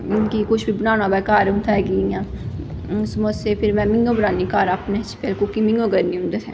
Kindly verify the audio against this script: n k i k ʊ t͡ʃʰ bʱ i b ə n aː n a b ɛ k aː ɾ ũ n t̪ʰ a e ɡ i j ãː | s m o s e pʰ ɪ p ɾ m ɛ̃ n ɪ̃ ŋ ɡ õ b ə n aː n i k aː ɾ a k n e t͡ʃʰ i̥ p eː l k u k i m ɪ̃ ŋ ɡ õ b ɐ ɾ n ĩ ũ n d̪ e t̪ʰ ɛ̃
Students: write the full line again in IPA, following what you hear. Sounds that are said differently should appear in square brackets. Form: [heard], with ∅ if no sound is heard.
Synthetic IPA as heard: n k i k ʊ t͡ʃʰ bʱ i b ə n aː n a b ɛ k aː ɾ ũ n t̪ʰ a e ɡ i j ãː | s m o s e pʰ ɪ [∅] ɾ m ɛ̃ [m] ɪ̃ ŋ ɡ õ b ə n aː n i k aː ɾ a [p] n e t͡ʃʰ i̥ p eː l k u k i m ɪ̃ ŋ ɡ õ [ɡ] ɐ ɾ n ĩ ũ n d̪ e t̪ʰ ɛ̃